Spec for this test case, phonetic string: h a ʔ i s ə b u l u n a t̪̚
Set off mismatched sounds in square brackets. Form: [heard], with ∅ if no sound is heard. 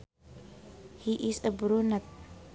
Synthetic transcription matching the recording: h [i] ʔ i s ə b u [ɾ] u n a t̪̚